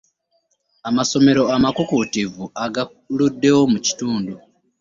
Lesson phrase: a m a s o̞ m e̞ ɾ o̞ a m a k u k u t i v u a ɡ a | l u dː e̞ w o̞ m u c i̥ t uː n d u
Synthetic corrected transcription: a m a s o̞ m e̞ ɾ o̞ a m a k u k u t i v u a ɡ a | l u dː e̞ w o̞ m u c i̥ t uː n d u

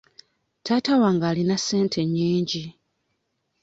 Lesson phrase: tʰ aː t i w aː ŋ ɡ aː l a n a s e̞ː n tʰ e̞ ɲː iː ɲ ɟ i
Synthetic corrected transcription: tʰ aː t a w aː ŋ ɡ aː l i n a s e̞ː n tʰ e̞ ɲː iː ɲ ɟ i

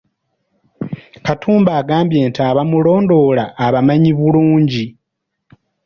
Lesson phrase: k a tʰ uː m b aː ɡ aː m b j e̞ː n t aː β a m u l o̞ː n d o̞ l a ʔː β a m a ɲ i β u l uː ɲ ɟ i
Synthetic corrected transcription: k a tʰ uː m b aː ɡ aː m b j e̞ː n t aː β a m u l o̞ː n d o̞ l a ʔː β a m a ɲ i β u l uː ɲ ɟ i

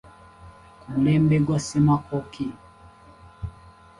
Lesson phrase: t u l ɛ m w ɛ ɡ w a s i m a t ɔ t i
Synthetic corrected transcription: k u l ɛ m b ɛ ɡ w a s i m a k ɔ k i

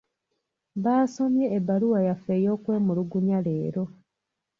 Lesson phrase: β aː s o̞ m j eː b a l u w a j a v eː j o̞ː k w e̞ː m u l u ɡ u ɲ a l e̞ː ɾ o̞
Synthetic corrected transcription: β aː s o̞ m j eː b a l u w a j a f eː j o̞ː k w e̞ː m u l u ɡ u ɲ a l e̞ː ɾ o̞

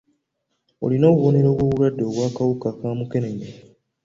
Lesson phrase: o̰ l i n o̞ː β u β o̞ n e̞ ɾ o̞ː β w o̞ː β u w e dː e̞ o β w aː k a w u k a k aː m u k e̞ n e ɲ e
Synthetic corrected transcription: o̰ l i n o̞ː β u β o̞ n e̞ ɾ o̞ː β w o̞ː β u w a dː e̞ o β w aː k a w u k a k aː m u k e̞ n e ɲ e

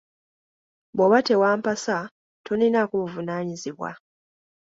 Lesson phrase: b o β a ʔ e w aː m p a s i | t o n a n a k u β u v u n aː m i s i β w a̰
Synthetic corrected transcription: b o β a t e w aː m p a s a | t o n i n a k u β u v u n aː ɲ i z i β w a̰

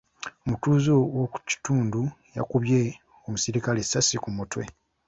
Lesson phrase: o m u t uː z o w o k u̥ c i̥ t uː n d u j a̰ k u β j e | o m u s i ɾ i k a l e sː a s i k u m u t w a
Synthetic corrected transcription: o m u t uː z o w o k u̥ c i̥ t uː n d u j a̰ k u β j e | o m u s i ɾ i k a l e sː a s i k u m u t w e

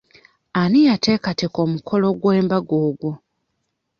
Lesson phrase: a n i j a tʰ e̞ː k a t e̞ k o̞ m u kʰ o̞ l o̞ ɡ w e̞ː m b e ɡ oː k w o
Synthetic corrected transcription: a n i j a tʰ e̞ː k a t e̞ k o̞ m u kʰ o̞ l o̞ ɡ w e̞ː m b a ɡ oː ɡ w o

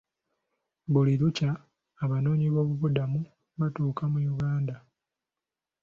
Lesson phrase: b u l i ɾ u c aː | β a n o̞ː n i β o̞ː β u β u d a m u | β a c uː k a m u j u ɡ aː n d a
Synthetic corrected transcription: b u l i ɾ u c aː | β a n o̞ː ɲ i β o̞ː β u β u d a m u | β a t uː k a m u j u ɡ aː n d a

